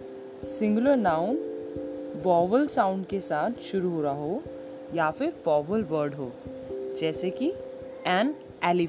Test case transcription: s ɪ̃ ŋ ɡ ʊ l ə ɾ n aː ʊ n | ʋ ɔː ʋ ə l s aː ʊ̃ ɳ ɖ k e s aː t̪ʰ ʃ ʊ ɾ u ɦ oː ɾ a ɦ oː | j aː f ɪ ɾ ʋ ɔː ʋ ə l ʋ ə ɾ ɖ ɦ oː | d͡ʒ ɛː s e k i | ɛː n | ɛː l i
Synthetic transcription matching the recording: s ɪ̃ ŋ ɡ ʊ l ə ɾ n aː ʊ n | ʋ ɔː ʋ ə l s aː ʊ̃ ɳ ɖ k e s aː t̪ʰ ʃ ʊ ɾ u ɦ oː ɾ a ɦ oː | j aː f ɪ ɾ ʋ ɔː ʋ ə l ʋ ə ɾ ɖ ɦ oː | d͡ʒ ɛː s e k i | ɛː n | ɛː l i